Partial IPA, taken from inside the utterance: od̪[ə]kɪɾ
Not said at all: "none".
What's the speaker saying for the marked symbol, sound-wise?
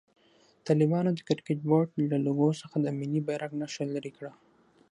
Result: ə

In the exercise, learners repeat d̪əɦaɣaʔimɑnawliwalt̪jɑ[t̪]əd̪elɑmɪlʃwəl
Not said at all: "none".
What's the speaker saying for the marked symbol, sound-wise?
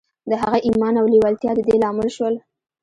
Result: d̪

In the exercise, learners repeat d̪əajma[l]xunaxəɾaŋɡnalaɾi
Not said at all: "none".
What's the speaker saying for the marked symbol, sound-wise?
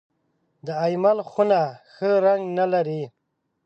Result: l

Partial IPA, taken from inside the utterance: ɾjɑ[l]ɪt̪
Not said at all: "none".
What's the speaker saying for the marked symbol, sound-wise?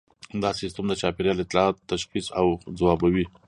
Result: l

